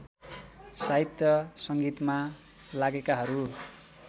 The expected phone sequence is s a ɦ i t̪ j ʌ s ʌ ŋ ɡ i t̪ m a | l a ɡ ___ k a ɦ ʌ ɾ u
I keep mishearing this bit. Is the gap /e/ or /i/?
e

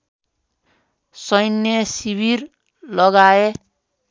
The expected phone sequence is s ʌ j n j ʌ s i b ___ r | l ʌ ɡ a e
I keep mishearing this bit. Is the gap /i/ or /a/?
i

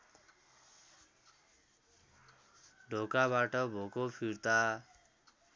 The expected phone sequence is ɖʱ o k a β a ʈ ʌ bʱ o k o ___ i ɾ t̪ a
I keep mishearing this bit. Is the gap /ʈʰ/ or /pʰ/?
pʰ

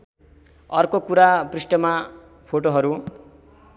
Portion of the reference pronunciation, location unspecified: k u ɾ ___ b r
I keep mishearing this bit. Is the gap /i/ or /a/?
a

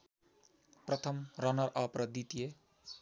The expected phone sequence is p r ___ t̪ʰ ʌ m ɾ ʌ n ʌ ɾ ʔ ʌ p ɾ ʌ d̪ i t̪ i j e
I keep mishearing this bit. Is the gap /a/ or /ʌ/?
ʌ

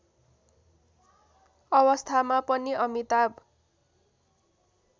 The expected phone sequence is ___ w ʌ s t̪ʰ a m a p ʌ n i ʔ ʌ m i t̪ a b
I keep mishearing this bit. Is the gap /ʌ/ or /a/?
ʌ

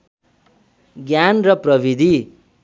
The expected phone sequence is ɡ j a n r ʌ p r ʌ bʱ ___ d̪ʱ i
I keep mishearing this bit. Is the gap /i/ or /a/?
i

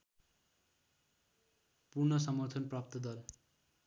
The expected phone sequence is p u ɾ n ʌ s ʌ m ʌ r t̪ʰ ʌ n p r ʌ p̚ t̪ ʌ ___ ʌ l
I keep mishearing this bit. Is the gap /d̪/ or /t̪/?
d̪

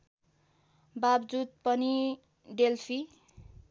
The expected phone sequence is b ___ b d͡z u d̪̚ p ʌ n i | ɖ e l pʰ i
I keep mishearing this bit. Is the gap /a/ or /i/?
a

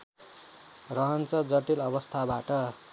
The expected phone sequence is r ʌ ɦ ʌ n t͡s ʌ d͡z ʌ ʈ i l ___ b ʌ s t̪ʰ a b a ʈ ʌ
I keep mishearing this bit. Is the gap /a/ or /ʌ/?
ʌ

